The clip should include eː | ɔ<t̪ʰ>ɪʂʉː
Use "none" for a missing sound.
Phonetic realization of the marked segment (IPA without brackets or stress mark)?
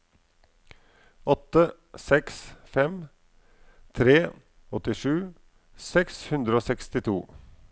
t̪